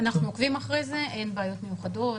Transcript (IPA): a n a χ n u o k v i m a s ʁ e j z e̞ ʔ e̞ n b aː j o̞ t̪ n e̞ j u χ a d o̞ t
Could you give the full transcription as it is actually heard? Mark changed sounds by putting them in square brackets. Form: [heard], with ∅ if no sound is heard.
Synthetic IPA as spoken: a n a χ n u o k v i m a [χ] ʁ e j z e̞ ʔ e̞ n b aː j o̞ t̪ [m] e̞ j u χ a d o̞ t